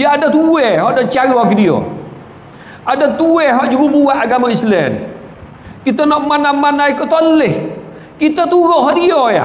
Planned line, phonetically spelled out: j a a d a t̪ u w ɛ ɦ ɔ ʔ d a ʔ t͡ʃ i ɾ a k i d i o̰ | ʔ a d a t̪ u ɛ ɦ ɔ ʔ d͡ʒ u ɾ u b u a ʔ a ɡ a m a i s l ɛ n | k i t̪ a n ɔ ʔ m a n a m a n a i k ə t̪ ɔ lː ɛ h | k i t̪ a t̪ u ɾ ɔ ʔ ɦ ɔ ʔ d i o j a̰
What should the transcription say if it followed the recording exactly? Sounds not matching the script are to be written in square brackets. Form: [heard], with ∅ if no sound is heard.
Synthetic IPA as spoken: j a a d a t̪ u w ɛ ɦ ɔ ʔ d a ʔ t͡ʃ [a] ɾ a k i d i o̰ | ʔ a d a t̪ u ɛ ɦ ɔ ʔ d͡ʒ u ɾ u b u a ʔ a ɡ a m a i s l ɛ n | k i t̪ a n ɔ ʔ m a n a m a n a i k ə t̪ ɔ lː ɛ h | k i t̪ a t̪ u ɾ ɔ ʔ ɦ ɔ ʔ d i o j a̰

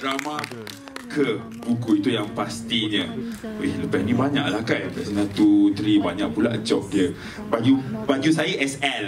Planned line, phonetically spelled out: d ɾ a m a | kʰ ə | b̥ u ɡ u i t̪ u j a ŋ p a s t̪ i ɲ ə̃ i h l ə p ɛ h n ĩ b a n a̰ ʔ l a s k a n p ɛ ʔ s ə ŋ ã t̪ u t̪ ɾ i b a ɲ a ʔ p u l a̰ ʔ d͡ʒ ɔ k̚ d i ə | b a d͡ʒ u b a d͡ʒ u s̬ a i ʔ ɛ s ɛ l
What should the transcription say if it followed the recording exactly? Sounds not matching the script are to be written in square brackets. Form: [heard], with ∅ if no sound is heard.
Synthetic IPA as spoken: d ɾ a m a | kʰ ə | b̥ u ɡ u i t̪ u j a ŋ p a s t̪ i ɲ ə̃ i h l ə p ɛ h n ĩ b a [ɲ] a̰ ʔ l a [h] k a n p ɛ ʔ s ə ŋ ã t̪ u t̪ ɾ i b a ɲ a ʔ p u l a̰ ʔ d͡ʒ ɔ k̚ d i ə | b a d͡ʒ u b a d͡ʒ u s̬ a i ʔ ɛ s ɛ l

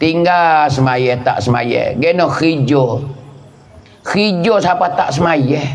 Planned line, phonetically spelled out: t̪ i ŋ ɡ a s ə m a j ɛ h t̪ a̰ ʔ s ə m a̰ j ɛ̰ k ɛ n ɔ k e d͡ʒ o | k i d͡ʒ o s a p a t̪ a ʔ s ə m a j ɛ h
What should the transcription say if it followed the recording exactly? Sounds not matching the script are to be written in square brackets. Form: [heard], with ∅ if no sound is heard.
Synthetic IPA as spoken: t̪ i ŋ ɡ a s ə m a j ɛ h t̪ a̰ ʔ s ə m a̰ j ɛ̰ [ɡ] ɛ n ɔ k [i] d͡ʒ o | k i d͡ʒ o s a p a t̪ a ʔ s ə m a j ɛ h

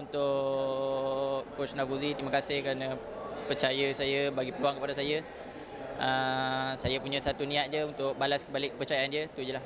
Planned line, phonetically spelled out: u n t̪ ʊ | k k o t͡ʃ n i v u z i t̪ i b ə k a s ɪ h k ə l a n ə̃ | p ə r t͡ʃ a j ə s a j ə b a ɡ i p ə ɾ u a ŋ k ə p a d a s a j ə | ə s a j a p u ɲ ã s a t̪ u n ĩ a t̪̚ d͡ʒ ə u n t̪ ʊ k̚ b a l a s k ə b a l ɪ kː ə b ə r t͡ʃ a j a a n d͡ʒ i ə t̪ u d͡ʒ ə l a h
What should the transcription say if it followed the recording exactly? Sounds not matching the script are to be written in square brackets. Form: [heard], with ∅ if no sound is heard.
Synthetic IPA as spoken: u n t̪ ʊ | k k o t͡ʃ n [a] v u z i t̪ i [m] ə k a s ɪ h k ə [ɾ] a n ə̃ | p ə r t͡ʃ a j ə s a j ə b a ɡ i p ə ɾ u a ŋ k ə p a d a s a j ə | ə s a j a p u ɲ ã s a t̪ u n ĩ a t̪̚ d͡ʒ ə u n t̪ ʊ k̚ b a l a s k ə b a l ɪ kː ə [p] ə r t͡ʃ a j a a n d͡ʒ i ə t̪ u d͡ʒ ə l a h

